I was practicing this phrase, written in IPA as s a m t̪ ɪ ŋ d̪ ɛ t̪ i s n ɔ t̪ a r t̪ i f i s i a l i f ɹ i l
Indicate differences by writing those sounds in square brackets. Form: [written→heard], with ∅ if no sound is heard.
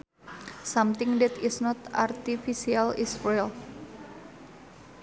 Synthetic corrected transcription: s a m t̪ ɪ ŋ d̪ ɛ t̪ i s n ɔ t̪ a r t̪ i f i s i a l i [f→s] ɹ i l

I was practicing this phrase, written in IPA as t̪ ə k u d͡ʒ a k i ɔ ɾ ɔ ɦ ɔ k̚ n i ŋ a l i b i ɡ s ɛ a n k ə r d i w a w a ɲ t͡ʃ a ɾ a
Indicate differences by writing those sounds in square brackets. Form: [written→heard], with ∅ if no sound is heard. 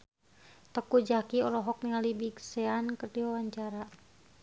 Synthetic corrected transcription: t̪ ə k u d͡ʒ a k i ɔ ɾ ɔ ɦ ɔ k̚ n i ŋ a l i b i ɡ s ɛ a n k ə r d i w a w a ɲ t͡ʃ a ɾ a

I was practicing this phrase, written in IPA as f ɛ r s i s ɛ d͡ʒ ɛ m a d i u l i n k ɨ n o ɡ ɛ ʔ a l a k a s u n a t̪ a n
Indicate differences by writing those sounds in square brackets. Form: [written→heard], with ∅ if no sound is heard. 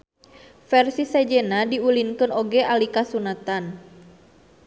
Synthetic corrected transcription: f ɛ r s i s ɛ d͡ʒ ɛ [m→n] a d i u l i n k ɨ n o ɡ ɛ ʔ a l [a→i] k a s u n a t̪ a n

